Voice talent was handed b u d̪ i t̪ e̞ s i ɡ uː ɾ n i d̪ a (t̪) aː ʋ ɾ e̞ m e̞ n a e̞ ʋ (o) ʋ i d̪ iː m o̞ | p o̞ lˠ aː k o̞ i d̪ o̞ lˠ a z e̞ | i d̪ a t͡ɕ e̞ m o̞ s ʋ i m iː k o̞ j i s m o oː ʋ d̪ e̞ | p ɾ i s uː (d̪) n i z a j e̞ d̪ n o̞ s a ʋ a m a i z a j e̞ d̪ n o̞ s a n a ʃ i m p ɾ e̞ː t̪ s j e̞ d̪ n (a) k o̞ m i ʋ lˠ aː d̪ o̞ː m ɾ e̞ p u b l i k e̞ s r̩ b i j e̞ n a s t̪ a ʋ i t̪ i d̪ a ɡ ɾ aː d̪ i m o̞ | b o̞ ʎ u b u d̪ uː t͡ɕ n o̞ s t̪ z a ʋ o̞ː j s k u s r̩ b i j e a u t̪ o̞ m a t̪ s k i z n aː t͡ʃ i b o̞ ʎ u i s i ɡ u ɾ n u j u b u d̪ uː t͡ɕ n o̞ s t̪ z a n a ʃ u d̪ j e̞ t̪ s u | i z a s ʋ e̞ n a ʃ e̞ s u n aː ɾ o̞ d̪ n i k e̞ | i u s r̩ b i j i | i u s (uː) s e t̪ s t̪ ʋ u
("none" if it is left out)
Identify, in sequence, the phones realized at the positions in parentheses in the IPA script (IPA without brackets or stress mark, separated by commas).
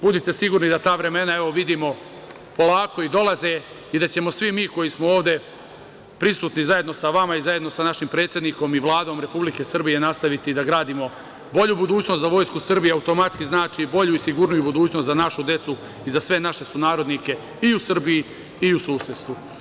t̪, o, t̪, i, uː